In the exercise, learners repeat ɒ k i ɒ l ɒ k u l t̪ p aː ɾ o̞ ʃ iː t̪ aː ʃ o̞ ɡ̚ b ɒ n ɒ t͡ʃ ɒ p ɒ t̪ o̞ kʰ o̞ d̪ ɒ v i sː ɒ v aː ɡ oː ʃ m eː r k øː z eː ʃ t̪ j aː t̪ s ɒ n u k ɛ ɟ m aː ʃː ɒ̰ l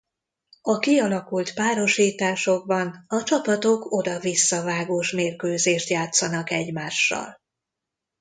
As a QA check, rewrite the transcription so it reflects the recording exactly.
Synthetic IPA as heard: ɒ k i ɒ l ɒ k u l t̪ p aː ɾ o̞ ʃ iː t̪ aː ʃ o̞ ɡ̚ b ɒ n ɒ t͡ʃ ɒ p ɒ t̪ o̞ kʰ o̞ d̪ ɒ v i sː ɒ v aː ɡ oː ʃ m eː r k øː z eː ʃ t̪ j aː t̪ s ɒ n ɒ k ɛ ɟ m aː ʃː ɒ̰ l